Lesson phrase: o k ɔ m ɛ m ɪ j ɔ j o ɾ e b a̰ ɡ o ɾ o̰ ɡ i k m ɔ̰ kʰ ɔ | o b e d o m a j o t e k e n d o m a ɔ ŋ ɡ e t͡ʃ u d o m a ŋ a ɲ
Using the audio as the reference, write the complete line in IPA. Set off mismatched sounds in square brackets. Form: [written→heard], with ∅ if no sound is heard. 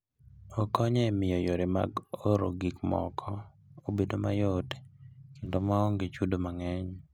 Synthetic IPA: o k ɔ [m→ɲ] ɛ m ɪ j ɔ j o ɾ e [b→m] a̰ ɡ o ɾ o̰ ɡ i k m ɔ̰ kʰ ɔ | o b e d o m a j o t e k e n d o m a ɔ ŋ ɡ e t͡ʃ u d o m a ŋ [a→ɛ] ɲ